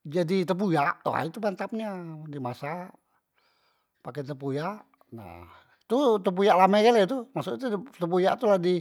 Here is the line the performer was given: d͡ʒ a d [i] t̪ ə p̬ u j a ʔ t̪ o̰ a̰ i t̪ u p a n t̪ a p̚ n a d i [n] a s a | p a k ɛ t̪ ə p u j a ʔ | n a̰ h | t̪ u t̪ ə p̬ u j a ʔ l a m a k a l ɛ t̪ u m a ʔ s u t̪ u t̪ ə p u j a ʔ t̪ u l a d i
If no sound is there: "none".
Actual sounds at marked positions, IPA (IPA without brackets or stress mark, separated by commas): i, m